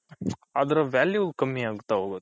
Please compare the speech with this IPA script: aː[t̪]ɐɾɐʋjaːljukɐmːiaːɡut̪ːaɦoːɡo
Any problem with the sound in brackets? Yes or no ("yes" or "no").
yes